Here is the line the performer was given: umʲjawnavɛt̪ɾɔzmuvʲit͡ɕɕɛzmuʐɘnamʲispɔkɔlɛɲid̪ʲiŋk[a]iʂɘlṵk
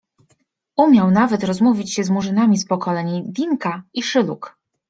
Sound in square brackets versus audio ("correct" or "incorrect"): correct